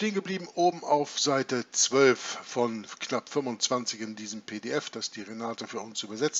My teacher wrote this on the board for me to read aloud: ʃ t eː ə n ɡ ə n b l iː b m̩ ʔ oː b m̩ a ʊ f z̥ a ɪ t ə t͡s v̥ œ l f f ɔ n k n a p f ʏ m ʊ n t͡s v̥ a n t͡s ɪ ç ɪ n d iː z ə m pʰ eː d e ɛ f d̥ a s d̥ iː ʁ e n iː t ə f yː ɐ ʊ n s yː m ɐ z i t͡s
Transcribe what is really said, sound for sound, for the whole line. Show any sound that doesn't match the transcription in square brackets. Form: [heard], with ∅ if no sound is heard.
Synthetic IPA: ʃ t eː ə n ɡ ə [∅] b l iː b m̩ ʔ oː b m̩ a ʊ f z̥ a ɪ t ə t͡s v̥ œ l f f ɔ n k n a p f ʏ m ʊ n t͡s v̥ a n t͡s ɪ ç ɪ n d iː z ə m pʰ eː d e ɛ f d̥ a s d̥ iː ʁ e n [aː] t ə f yː ɐ ʊ n s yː [b] ɐ z [ɛ] t͡s

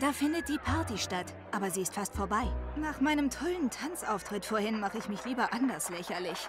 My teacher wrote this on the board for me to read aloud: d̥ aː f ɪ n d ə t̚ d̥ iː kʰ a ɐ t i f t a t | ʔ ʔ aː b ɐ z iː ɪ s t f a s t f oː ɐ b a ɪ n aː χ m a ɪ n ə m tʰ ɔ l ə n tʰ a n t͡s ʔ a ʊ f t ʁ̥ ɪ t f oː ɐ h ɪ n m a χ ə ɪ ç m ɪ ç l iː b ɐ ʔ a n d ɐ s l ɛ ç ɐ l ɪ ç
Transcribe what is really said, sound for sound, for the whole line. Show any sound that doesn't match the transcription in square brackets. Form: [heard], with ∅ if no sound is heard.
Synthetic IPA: d̥ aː f ɪ n d ə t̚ d̥ iː [pʰ] a ɐ t i [ʃ] t a t | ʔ ʔ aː b ɐ z iː ɪ s t f a s t f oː ɐ b a ɪ n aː χ m a ɪ n ə m tʰ ɔ l ə n tʰ a n t͡s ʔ a ʊ f t ʁ̥ ɪ t f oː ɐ h ɪ n m a χ ə ɪ ç m ɪ ç l iː b ɐ ʔ a n d ɐ s l ɛ ç ɐ l ɪ ç

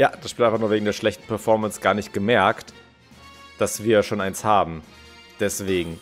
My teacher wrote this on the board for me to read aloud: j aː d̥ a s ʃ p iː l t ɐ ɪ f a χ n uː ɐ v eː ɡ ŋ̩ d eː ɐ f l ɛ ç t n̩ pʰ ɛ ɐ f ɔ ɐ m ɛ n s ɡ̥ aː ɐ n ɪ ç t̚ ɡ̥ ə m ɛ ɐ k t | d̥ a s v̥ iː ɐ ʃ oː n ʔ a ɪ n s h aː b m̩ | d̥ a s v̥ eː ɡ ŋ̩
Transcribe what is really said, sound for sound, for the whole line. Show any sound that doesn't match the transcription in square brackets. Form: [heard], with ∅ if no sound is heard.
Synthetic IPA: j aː d̥ a s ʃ p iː l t [a] ɪ f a χ n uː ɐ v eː ɡ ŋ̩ d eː ɐ [ʃ] l ɛ ç t n̩ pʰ ɛ ɐ f ɔ ɐ m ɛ n s ɡ̥ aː ɐ n ɪ ç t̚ ɡ̥ ə m ɛ ɐ k t | d̥ a s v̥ iː ɐ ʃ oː n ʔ a ɪ n s h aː b m̩ | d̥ [ɛ] s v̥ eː ɡ ŋ̩

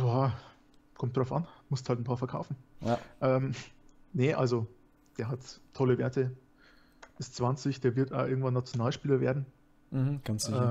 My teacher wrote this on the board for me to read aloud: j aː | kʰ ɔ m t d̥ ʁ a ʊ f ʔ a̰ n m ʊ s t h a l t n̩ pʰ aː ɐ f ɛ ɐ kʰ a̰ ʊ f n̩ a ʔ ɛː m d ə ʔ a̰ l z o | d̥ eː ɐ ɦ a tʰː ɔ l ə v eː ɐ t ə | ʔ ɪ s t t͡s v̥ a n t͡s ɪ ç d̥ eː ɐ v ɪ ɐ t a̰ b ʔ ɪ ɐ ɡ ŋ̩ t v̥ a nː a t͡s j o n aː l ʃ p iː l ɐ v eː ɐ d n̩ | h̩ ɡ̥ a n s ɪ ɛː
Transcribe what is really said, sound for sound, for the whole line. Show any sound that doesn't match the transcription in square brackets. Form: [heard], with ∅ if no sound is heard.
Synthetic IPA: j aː | kʰ ɔ m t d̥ ʁ a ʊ f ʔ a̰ n m ʊ s t h a l t n̩ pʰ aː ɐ f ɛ ɐ kʰ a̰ ʊ f n̩ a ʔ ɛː m [n] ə ʔ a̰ l z o | d̥ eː ɐ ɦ a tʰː ɔ l ə v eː ɐ t ə | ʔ ɪ s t t͡s v̥ a n t͡s ɪ ç d̥ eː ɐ v ɪ ɐ t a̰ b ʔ ɪ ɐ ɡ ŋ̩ t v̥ a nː a t͡s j o n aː l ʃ p iː l ɐ v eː ɐ d n̩ | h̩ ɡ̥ a n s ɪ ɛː

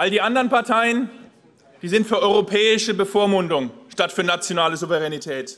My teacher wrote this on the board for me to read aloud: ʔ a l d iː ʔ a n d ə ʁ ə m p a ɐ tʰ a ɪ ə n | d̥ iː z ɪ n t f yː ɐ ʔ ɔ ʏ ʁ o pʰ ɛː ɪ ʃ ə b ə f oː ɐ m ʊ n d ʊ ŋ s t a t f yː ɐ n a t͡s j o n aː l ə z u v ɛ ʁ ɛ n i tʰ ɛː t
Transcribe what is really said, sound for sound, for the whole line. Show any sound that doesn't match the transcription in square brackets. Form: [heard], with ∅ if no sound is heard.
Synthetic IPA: ʔ a l d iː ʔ a n d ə ʁ ə [n] p a ɐ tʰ a ɪ ə n | d̥ iː z ɪ n t f yː ɐ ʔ ɔ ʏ ʁ o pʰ ɛː ɪ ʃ ə b ə f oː ɐ m ʊ n d ʊ ŋ [ʃ] t a t f yː ɐ n a t͡s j o n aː l ə z u v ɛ ʁ ɛ n i tʰ ɛː t

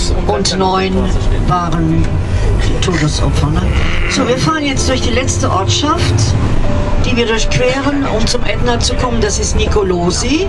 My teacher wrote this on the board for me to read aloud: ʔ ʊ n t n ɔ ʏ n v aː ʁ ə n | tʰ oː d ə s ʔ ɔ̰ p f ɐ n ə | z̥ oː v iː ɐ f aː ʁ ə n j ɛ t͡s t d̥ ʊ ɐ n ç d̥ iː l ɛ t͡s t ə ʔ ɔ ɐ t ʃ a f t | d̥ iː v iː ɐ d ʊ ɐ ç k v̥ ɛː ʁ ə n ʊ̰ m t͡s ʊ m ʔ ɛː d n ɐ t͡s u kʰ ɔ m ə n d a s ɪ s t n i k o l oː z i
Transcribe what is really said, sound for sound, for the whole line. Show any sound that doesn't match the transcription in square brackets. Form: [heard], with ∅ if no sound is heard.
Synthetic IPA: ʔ ʊ n t n ɔ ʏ n v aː ʁ ə n | tʰ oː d ə s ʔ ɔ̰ p f ɐ n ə | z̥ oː v iː ɐ f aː ʁ ə n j ɛ t͡s t d̥ ʊ ɐ [∅] ç d̥ iː l ɛ t͡s t ə ʔ ɔ ɐ t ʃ a f t | d̥ iː v iː ɐ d ʊ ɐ ç k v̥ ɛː ʁ ə n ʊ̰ m t͡s ʊ m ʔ [ɛ] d n ɐ t͡s u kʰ ɔ m ə n d a s ɪ s t n i k o l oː z i

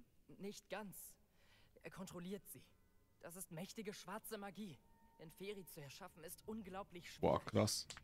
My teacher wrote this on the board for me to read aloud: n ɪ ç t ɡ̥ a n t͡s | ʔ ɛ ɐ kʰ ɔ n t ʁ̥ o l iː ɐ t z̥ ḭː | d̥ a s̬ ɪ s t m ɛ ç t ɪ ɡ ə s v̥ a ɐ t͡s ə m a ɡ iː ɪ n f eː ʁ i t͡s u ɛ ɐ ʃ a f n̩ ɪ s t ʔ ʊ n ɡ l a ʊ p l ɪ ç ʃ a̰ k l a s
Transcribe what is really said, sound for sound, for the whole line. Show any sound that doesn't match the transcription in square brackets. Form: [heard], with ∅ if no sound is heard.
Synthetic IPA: n ɪ ç t ɡ̥ a n t͡s | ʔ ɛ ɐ kʰ ɔ n t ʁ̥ o l iː ɐ t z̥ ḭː | d̥ a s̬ ɪ s t m ɛ ç t ɪ ɡ ə [ʃ] v̥ a ɐ t͡s ə m a ɡ iː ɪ n f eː ʁ i t͡s u ɛ ɐ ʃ a f n̩ ɪ s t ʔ ʊ n ɡ l a ʊ p l ɪ ç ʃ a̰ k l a s

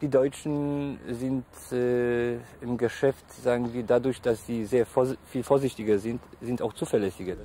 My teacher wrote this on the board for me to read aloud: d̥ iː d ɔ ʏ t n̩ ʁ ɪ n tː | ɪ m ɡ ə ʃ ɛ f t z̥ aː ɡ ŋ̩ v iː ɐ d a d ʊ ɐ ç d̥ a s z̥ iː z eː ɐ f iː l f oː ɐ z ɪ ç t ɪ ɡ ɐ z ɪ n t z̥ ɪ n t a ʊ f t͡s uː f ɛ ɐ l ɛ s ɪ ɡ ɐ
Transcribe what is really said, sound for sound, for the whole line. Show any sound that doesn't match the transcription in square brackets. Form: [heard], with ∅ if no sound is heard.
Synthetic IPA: d̥ iː d ɔ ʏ [t͡ʃ] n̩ [z] ɪ n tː | ɪ m ɡ ə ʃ ɛ f t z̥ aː ɡ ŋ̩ v iː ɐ d a d ʊ ɐ ç d̥ a s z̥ iː z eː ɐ f iː l f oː ɐ z ɪ ç t ɪ ɡ ɐ z ɪ n t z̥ ɪ n t a ʊ [x] t͡s uː f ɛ ɐ l ɛ s ɪ ɡ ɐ

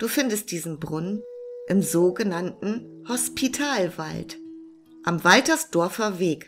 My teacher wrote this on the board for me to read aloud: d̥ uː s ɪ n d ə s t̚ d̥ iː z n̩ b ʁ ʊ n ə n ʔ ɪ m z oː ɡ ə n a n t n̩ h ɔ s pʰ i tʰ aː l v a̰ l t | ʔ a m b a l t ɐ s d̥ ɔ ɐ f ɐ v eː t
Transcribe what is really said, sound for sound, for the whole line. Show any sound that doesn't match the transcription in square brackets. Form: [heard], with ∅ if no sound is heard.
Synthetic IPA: d̥ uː [f] ɪ n d ə s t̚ d̥ iː z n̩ b ʁ ʊ n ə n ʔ ɪ m z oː ɡ ə n a n t n̩ h ɔ s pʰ i tʰ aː l v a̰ l t | ʔ a m [v] a l t ɐ s d̥ ɔ ɐ f ɐ v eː [k]

